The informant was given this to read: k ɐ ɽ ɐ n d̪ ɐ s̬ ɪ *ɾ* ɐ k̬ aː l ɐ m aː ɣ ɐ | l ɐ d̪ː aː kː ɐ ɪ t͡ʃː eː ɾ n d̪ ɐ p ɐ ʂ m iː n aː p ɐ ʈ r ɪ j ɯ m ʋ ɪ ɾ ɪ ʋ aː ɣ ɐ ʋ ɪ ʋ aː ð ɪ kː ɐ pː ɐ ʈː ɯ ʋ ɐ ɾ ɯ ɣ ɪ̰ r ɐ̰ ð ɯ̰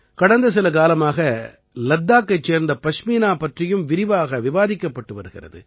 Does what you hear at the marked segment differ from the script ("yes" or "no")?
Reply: yes